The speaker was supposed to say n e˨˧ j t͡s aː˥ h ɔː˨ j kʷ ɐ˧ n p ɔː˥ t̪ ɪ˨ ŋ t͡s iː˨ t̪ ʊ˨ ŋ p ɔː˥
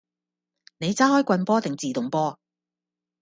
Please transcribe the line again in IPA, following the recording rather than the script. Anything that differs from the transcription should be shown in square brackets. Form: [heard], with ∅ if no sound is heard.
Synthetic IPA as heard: n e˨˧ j t͡s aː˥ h [ɔː˥] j kʷ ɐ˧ n p ɔː˥ t̪ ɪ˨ ŋ t͡s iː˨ t̪ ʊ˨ ŋ p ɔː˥